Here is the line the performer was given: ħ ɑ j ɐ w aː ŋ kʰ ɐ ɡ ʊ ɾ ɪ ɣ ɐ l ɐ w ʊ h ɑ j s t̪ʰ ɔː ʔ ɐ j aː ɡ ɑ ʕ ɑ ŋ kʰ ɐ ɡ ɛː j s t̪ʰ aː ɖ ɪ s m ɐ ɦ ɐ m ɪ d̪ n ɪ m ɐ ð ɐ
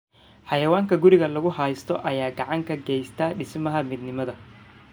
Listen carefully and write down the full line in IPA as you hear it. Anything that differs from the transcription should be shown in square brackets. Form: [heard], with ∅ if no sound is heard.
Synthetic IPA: ħ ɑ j ɐ w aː ŋ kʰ ɐ ɡ ʊ ɾ ɪ ɣ ɐ l ɐ [ɣ] ʊ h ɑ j s t̪ʰ [ɔ] ʔ ɐ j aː ɡ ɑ ʕ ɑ ŋ kʰ ɐ ɡ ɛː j s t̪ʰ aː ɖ ɪ s m ɐ ɦ ɐ m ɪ d̪ n ɪ m ɐ ð ɐ